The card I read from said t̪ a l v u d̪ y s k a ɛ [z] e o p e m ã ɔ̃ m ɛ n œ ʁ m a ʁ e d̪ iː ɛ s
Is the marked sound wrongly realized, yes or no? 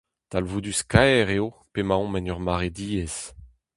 yes